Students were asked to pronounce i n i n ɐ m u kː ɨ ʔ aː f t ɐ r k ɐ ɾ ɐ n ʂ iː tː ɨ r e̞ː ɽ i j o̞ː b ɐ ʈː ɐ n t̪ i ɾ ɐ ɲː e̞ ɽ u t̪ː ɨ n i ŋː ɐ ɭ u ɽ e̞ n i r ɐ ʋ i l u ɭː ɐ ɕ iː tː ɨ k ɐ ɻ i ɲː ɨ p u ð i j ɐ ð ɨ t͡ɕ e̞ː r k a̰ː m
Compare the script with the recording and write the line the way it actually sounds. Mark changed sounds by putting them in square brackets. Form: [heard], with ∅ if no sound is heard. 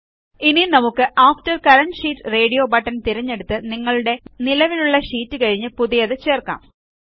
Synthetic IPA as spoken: i n i n ɐ m u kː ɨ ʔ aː f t ɐ r k ɐ ɾ ɐ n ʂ iː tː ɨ r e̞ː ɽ i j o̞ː b ɐ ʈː ɐ n t̪ i ɾ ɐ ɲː e̞ ɽ u t̪ː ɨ n i ŋː ɐ ɭ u ɽ e̞ n i [l] ɐ ʋ i l u ɭː ɐ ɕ iː tː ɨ k ɐ ɻ i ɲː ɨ p u ð i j ɐ ð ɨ t͡ɕ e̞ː r k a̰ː m